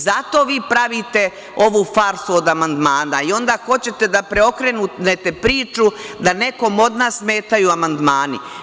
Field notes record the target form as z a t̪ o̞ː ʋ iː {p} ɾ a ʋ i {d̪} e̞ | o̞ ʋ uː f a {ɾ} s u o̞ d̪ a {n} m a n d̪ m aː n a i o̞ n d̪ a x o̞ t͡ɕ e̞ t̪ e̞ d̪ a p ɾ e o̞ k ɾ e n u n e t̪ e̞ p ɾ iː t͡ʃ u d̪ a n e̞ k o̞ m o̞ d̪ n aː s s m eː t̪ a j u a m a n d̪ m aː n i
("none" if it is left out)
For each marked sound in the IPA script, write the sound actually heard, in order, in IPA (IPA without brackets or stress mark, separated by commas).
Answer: p, t̪, ɾ, none